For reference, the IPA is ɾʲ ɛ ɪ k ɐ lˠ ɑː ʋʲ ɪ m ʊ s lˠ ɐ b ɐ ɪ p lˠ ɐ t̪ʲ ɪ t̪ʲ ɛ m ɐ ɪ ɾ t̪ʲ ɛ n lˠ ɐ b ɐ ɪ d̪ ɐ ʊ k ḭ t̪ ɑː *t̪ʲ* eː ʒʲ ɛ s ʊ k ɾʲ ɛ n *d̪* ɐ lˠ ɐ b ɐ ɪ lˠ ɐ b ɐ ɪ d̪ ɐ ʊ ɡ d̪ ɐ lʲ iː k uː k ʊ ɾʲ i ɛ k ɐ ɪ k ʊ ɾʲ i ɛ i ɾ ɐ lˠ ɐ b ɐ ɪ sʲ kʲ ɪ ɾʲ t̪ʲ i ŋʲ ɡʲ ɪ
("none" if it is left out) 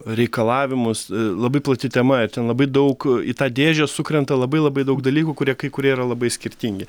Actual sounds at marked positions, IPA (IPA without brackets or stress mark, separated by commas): d̪ʲ, t̪